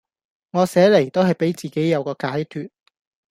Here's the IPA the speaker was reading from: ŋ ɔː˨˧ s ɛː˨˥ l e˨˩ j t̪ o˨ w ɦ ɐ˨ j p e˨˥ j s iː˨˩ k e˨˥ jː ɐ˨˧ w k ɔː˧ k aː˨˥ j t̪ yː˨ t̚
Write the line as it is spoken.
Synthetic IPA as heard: ŋ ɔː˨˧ s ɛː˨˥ l e˨˩ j t̪ o˥ w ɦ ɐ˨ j p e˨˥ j t͡s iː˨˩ k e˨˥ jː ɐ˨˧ w k ɔː˧ k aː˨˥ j t̪ʰ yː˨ t̚